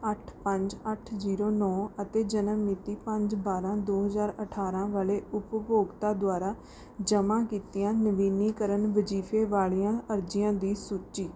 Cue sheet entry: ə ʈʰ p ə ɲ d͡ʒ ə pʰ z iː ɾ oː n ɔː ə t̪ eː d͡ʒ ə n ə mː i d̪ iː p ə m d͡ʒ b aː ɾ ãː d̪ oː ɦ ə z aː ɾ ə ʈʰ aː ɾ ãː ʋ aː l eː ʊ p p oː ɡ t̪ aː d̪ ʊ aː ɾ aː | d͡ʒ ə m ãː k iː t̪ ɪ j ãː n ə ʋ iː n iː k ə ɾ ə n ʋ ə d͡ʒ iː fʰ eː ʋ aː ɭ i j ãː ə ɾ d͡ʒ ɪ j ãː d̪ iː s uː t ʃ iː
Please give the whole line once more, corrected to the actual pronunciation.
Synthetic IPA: ə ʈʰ p ə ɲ d͡ʒ ə ʈʰ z iː ɾ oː n ɔː ə t̪ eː d͡ʒ ə n ə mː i t̪ iː p ə ɲ d͡ʒ b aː ɾ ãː d̪ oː ɦ ə z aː ɾ ə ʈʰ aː ɾ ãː ʋ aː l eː ʊ p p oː ɡ t̪ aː d̪ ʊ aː ɾ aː | d͡ʒ ə m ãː k iː t̪ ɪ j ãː n ə ʋ iː n iː k ə ɾ ə n ʋ ə d͡ʒ iː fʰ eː ʋ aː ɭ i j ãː ə ɾ d͡ʒ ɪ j ãː d̪ iː s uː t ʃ iː